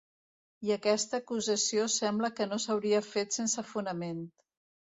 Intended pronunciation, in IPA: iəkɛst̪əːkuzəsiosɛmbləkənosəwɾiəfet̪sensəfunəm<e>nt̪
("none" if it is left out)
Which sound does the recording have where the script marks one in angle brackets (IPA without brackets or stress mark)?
e